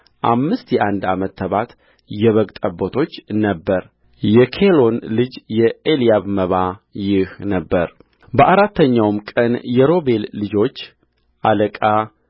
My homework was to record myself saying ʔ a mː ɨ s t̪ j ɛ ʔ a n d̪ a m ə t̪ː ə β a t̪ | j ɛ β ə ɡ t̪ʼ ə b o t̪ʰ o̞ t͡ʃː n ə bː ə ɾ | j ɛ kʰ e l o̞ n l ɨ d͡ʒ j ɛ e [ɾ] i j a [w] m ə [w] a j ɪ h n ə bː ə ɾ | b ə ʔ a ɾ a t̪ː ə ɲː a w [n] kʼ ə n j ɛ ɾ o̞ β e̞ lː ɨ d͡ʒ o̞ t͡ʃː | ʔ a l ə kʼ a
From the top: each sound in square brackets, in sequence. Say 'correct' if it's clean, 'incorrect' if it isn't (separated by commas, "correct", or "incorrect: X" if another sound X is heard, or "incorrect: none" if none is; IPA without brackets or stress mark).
incorrect: l, incorrect: β, incorrect: β, incorrect: m